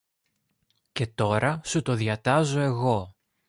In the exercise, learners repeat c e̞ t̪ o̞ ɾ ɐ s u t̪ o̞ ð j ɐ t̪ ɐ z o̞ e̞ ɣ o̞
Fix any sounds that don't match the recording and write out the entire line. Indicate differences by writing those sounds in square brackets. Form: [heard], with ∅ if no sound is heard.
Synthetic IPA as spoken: c e̞ t̪ o̞ ɾ ɐ s u t̪ o̞ ð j ɐ t̪ ɐ z o̞ e̞ ɣ o̞

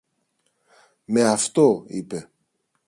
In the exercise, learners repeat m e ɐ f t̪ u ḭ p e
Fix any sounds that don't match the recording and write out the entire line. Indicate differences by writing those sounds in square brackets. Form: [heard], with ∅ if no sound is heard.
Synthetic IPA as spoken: m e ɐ f t̪ [o] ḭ p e

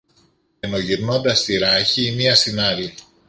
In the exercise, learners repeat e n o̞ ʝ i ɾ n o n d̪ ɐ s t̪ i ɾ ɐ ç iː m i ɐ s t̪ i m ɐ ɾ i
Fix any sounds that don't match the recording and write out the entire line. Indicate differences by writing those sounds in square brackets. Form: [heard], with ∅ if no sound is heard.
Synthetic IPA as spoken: e n o̞ ʝ i ɾ n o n d̪ ɐ s t̪ i ɾ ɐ ç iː m i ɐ s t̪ i [n] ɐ ɾ i

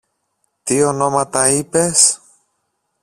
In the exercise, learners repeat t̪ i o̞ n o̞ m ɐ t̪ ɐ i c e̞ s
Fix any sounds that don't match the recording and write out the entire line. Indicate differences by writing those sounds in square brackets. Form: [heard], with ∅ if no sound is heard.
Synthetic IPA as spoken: t̪ i o̞ n o̞ m ɐ t̪ ɐ i [p] e̞ s

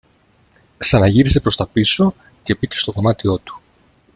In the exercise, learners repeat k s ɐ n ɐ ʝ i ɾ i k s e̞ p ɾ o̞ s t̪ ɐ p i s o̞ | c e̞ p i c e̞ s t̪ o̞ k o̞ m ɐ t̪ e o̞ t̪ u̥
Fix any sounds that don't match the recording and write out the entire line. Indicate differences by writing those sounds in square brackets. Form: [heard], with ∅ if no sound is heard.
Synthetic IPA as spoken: k s ɐ n ɐ ʝ i ɾ i [∅] s e̞ p ɾ o̞ s t̪ ɐ p i s o̞ | c e̞ p i c e̞ s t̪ o̞ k o̞ m ɐ t̪ [i] o̞ t̪ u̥

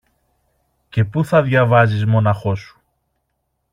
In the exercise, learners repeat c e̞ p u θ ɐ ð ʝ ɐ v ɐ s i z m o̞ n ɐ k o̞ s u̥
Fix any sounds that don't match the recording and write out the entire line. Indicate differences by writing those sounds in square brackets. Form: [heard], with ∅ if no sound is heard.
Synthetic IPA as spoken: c e̞ p u θ ɐ ð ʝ ɐ v ɐ [z] i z m o̞ n ɐ [x] o̞ s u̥

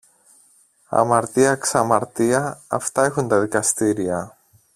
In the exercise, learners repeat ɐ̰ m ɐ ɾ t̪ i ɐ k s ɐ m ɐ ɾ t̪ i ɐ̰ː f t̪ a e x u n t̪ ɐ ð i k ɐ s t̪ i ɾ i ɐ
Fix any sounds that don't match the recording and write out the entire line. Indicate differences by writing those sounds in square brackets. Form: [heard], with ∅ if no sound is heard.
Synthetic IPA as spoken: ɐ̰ m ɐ ɾ t̪ i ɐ k s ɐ m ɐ ɾ t̪ i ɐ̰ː f t̪ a e x u n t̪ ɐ ð i k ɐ s t̪ i ɾ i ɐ

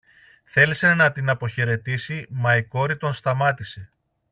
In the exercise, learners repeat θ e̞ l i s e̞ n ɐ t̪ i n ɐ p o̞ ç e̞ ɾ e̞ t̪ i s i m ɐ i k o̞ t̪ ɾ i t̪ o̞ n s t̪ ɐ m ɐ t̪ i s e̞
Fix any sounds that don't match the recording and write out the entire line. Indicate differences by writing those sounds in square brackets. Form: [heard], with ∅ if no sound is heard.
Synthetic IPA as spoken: θ e̞ l i s e̞ n ɐ t̪ i n ɐ p o̞ ç e̞ ɾ e̞ t̪ i s i m ɐ i k o̞ [∅] ɾ i t̪ o̞ n s t̪ ɐ m ɐ t̪ i s e̞

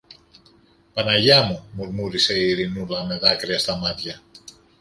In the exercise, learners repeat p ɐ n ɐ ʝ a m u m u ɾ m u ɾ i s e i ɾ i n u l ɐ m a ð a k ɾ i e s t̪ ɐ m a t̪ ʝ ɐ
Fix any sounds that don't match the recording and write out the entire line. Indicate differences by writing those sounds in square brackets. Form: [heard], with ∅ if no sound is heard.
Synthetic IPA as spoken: p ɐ n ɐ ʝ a m u m u ɾ m u ɾ i s e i ɾ i n u l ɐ m [e] ð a k ɾ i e s t̪ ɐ m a t̪ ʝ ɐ

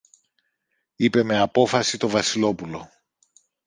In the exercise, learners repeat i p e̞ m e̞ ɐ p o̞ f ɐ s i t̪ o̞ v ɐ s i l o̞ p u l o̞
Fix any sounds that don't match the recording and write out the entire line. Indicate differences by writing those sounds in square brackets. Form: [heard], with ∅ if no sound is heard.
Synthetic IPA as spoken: i p e̞ m e̞ ɐ p o̞ f ɐ s i t̪ o̞ v ɐ s i l o̞ p u l o̞

